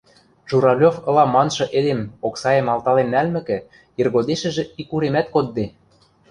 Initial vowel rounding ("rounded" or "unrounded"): rounded